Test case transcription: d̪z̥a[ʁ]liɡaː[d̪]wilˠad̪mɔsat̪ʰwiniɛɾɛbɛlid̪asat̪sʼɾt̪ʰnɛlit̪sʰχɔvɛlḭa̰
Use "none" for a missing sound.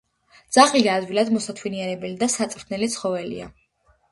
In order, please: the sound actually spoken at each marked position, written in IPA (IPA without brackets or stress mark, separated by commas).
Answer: χ, d̪